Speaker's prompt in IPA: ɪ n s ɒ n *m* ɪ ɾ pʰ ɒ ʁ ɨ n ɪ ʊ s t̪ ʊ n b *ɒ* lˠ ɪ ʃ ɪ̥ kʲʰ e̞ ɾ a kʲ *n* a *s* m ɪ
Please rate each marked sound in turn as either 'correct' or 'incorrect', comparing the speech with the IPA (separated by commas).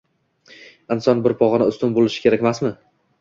incorrect, incorrect, incorrect, correct